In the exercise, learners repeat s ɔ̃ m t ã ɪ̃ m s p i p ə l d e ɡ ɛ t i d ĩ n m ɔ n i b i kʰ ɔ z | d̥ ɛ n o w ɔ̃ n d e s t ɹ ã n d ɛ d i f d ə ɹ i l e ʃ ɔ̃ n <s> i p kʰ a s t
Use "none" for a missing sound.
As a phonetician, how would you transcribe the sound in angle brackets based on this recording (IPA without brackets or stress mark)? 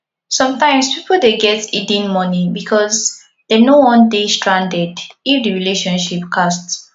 ʃ